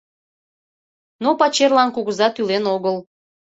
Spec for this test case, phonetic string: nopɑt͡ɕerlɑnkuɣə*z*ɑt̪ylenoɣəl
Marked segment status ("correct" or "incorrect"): correct